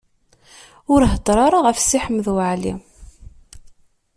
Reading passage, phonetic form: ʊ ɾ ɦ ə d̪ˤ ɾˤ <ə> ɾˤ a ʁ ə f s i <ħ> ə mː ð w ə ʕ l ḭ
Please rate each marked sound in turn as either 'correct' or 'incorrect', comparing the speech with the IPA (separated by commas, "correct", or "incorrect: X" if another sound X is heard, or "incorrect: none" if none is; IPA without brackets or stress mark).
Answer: incorrect: ɑ, correct